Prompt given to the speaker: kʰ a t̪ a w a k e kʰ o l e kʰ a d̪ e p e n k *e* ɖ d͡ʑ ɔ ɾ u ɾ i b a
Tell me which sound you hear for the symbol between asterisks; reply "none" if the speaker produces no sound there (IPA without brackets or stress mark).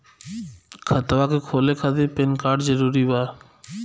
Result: a